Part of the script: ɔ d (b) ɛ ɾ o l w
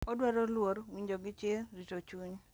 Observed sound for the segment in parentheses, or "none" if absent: w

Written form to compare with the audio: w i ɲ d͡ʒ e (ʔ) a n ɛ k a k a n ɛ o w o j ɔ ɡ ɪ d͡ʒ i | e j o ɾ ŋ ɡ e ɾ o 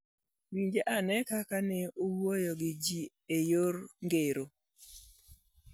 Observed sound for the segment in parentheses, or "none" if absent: ʔ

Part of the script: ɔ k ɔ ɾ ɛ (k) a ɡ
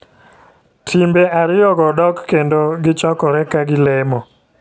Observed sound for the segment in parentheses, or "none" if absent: k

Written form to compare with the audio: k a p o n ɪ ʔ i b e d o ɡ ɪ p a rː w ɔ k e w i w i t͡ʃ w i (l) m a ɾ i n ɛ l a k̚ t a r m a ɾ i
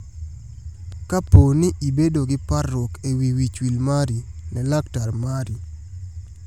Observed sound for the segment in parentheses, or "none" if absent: l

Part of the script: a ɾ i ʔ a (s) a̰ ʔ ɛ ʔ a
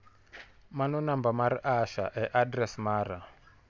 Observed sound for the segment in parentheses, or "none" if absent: ʃ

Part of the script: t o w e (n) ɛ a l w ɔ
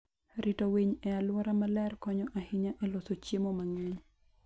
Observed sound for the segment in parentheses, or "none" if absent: ɲ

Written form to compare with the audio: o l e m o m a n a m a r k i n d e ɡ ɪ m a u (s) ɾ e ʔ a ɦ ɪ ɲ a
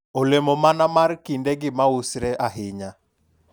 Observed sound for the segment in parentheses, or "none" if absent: s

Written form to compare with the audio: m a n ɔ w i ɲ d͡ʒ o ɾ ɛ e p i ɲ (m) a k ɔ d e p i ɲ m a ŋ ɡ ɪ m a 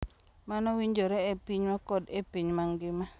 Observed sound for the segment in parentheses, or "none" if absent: m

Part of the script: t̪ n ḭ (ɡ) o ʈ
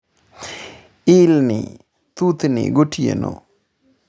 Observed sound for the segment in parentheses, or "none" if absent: ɡ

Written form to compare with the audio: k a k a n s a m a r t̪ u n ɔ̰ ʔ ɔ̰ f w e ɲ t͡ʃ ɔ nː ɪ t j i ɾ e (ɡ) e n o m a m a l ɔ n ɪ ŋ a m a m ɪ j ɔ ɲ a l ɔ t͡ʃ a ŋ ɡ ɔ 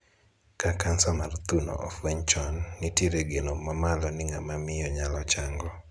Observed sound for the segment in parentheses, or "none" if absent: ɡ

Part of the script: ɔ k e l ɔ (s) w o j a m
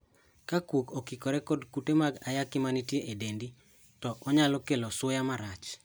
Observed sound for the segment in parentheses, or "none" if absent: s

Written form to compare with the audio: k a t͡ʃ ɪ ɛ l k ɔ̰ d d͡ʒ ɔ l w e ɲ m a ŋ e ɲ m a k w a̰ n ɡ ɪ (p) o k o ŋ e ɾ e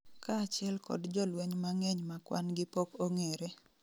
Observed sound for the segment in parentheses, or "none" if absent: p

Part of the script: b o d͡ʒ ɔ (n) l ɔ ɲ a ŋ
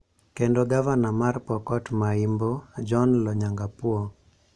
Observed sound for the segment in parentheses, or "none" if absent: n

